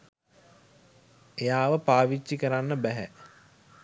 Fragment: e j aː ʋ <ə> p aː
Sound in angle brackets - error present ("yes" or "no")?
no